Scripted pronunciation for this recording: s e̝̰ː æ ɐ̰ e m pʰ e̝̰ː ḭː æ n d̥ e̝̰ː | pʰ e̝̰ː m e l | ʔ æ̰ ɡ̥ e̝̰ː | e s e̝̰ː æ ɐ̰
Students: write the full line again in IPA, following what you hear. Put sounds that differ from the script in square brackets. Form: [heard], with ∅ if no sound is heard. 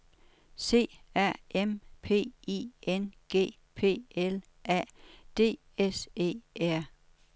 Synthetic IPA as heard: s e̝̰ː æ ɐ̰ e m pʰ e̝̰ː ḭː [e] n [ɡ̥] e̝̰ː | pʰ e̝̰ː [∅] e l | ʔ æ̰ [d̥] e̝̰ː | e s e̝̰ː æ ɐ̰